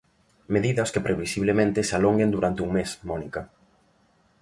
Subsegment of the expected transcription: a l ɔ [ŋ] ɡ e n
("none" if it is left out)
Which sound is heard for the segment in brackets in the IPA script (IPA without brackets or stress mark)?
ŋ